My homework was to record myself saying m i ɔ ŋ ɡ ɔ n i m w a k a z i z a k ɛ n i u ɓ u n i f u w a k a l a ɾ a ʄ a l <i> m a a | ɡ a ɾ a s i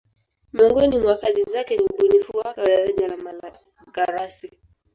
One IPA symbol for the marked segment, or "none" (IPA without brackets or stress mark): a